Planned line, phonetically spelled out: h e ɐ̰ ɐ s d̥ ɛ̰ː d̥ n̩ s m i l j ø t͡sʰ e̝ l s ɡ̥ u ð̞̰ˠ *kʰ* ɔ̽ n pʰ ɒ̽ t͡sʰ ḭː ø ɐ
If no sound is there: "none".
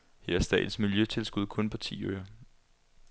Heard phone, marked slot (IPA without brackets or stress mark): kʰ